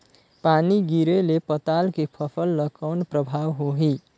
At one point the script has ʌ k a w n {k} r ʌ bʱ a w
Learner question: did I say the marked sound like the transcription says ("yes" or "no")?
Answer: no